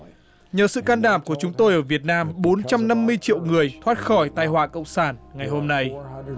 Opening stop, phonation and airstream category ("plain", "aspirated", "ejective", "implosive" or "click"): plain